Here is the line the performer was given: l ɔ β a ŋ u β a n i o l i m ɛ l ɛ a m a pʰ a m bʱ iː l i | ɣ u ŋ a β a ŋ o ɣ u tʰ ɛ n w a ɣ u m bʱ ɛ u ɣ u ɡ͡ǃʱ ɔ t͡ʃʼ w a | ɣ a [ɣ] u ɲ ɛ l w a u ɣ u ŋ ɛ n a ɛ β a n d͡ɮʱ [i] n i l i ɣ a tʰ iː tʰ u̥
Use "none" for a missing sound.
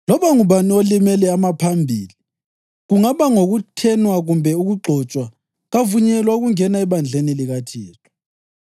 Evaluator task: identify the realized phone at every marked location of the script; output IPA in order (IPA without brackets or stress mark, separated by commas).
v, e